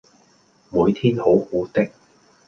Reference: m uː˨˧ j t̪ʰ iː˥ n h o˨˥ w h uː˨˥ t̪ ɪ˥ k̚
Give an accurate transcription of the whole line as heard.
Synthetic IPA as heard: m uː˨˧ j t̪ʰ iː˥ n h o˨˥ w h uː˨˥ t̪ ɪ˥ k̚